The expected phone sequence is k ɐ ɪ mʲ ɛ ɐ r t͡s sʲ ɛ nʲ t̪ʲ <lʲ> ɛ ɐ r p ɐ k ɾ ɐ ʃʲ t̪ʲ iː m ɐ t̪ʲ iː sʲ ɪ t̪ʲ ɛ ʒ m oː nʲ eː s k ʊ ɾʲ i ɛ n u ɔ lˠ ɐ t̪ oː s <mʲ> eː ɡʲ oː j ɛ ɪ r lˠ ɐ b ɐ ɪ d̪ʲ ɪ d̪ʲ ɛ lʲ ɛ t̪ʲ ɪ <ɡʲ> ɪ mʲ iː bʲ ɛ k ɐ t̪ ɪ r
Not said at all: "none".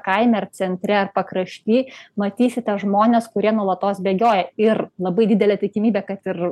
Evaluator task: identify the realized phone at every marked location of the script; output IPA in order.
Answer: ɾʲ, bʲ, kʲ

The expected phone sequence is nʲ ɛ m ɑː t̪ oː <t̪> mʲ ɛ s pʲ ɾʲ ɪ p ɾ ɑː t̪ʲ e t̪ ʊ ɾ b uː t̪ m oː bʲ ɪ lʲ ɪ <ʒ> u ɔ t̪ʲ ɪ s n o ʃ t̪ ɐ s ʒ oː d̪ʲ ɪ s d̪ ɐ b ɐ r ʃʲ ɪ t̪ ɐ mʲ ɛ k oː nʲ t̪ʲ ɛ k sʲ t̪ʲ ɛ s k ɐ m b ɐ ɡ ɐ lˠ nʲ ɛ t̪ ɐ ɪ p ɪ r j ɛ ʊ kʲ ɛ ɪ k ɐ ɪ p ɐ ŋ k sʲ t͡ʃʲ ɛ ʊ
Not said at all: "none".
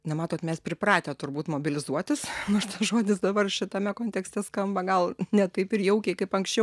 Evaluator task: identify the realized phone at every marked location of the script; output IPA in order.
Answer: t̪, z

